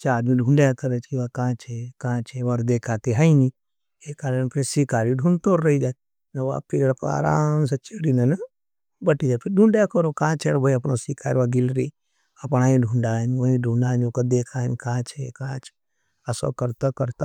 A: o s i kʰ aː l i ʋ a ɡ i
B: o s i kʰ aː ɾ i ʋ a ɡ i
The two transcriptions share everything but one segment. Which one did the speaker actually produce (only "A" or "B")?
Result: B